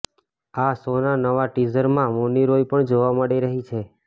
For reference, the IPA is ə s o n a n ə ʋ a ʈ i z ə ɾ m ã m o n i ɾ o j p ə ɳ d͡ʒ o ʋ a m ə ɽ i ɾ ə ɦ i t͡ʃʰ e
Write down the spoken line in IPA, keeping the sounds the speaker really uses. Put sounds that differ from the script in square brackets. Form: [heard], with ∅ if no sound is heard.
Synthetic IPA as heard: [a] s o n a n ə ʋ a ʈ i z ə ɾ m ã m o n i ɾ o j p ə ɳ d͡ʒ o ʋ a m ə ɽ i ɾ ə ɦ i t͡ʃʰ e